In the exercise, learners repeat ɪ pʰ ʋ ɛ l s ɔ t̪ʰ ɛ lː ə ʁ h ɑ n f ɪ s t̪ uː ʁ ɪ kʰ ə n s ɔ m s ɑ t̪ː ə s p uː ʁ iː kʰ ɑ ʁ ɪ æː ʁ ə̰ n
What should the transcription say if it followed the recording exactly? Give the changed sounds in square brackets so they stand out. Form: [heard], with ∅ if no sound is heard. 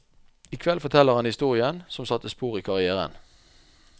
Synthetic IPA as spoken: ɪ [kʰ] ʋ ɛ l [f] ɔ t̪ʰ ɛ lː ə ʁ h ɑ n [h] ɪ s t̪ uː ʁ ɪ [∅] ə n s ɔ m s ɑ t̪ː ə s p uː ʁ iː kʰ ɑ ʁ ɪ æː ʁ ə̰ n